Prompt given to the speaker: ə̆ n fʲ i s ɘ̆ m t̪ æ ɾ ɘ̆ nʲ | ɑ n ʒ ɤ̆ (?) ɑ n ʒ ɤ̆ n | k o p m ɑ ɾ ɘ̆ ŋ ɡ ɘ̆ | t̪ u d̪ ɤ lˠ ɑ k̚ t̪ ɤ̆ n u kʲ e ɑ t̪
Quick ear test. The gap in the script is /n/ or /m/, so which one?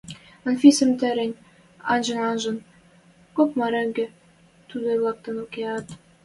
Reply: n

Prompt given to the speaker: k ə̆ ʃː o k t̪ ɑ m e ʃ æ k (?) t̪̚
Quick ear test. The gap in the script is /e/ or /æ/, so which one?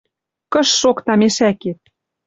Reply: e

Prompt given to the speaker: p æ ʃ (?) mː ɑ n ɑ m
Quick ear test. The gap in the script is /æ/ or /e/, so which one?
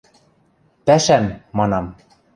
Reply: æ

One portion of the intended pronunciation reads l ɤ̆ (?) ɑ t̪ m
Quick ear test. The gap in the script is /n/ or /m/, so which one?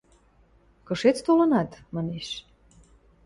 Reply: n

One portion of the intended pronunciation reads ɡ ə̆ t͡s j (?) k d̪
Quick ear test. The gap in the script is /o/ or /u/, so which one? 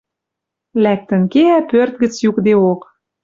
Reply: u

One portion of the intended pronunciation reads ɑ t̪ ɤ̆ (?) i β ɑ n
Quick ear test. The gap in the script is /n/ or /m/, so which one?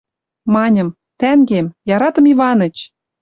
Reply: m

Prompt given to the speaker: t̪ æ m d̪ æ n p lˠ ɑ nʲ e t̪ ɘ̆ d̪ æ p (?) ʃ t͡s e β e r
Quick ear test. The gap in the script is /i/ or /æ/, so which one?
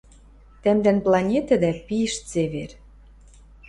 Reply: i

